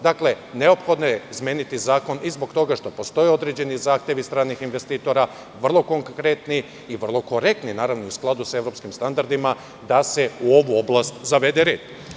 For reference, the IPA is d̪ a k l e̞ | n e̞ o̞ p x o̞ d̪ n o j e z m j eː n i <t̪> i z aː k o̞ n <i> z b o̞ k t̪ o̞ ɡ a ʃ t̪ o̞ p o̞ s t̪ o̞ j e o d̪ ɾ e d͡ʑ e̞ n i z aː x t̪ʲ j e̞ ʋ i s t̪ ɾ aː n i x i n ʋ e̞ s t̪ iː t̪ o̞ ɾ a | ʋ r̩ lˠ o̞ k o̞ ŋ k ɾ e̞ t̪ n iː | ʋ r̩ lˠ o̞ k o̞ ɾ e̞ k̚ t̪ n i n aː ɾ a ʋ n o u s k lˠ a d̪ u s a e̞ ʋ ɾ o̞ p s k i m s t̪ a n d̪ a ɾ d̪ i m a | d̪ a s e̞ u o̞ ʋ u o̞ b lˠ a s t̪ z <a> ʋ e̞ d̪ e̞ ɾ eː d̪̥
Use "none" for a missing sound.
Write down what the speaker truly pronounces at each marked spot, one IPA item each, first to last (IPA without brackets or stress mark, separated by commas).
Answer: t̪, i, a